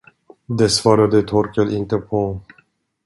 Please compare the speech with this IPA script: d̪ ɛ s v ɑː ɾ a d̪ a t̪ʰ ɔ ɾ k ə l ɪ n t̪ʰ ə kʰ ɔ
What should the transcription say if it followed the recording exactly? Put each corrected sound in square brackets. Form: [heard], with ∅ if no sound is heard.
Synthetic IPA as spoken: d̪ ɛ s v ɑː ɾ a d̪ [ə] t̪ʰ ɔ ɾ k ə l ɪ n [t̪] ə [pʰ] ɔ